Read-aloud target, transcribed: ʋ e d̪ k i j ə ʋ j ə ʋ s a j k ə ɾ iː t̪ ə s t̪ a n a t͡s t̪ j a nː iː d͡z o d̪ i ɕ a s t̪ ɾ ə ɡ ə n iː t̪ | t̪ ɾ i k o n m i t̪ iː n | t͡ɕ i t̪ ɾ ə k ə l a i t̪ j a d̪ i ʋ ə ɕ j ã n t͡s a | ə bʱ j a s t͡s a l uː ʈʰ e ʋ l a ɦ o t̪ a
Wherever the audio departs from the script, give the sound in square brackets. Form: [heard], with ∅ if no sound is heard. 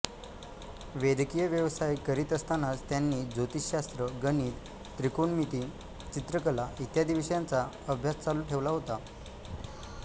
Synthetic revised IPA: ʋ e d̪ k i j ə ʋ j ə ʋ s a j k ə ɾ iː t̪ ə s t̪ a n a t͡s t̪ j a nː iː d͡z o [t̪] i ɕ a s t̪ ɾ ə ɡ ə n iː t̪ | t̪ ɾ i k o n m i t̪ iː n | t͡ɕ i t̪ ɾ ə k ə l a i t̪ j a d̪ i ʋ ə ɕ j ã n t͡s a | ə bʱ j a s t͡s a l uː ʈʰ e ʋ l a ɦ o t̪ a